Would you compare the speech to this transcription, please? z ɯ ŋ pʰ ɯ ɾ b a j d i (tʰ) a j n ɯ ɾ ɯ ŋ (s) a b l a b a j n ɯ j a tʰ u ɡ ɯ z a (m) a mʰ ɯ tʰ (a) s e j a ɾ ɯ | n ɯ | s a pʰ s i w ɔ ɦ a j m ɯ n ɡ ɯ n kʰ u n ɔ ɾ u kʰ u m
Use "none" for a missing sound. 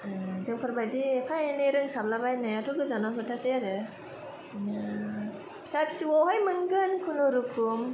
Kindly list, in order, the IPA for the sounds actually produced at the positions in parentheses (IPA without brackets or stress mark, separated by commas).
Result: pʰ, s, n, a